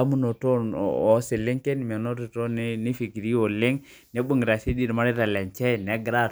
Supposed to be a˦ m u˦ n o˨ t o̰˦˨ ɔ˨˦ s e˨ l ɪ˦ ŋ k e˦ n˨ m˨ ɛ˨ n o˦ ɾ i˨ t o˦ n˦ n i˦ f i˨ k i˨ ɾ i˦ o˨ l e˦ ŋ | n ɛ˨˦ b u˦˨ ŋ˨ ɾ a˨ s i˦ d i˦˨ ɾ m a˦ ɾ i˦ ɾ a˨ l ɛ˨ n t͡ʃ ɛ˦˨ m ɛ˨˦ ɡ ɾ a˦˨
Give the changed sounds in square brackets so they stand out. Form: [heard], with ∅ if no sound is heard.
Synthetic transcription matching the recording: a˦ m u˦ n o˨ t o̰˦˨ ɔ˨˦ s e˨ l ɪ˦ ŋ k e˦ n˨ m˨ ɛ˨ n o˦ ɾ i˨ t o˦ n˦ n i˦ f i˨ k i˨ ɾ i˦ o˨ l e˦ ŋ | n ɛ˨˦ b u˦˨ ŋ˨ ɾ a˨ s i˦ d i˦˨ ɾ m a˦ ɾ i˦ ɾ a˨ l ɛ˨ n t͡ʃ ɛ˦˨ [n] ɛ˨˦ ɡ ɾ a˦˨